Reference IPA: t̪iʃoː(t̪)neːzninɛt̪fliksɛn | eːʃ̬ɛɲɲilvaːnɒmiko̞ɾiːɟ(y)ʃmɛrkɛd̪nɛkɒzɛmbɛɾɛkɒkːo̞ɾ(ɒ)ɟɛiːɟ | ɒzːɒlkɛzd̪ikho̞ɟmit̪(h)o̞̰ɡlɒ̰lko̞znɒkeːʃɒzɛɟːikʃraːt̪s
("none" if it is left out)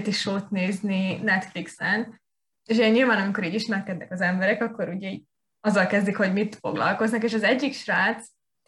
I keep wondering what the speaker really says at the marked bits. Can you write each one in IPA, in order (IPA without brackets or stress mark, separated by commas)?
t̪, i, u, f